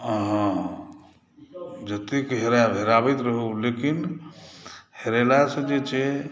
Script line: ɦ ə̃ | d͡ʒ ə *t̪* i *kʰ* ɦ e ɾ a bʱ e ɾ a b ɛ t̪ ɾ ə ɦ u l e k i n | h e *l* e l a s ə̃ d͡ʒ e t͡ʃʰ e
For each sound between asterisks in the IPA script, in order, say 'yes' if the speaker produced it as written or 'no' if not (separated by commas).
yes, no, no